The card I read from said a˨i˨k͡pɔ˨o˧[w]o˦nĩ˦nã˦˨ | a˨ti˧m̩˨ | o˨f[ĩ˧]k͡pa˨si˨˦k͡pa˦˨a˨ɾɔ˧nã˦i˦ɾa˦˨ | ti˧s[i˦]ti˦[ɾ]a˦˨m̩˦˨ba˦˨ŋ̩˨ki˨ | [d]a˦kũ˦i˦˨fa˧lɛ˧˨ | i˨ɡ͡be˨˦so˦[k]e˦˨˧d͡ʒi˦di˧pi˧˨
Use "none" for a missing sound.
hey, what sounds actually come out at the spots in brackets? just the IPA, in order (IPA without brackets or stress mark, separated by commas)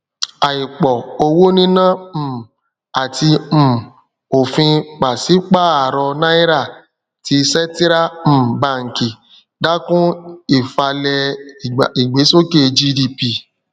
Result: w, ĩ˧, ɛ˦, ɾ, d, k